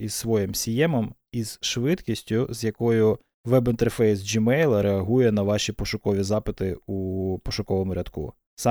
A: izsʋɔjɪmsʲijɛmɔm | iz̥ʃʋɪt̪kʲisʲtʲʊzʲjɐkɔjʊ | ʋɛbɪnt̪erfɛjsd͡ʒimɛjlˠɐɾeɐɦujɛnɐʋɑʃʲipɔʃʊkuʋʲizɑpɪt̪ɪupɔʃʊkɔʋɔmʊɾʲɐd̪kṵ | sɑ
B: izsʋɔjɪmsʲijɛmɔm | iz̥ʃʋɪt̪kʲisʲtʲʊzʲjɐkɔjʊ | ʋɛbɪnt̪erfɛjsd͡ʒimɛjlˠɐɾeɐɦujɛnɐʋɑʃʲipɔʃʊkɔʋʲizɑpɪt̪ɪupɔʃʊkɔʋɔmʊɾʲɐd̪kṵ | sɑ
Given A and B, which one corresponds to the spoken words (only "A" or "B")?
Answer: B